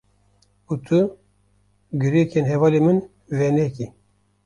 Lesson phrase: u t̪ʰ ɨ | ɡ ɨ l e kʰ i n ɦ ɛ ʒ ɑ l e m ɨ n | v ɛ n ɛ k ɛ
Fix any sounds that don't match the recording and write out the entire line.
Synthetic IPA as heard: u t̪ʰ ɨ | ɡ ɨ ɾ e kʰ e n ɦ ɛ v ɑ l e m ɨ n | v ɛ n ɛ k i